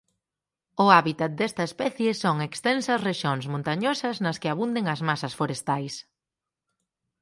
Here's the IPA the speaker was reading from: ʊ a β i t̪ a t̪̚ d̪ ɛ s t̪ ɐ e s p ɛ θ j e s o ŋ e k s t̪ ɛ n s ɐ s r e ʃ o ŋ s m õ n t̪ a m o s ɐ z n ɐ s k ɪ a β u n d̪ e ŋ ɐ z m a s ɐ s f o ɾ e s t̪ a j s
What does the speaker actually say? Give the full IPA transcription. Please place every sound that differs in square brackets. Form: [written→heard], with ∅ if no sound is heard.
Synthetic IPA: ʊ a β i t̪ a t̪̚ d̪ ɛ s t̪ ɐ e s p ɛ θ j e s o ŋ e k s t̪ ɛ n s ɐ s r e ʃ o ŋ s m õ n t̪ a [m→ɲ] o s ɐ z n ɐ s k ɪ a β u n d̪ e ŋ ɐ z m a s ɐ s f o ɾ e s t̪ a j s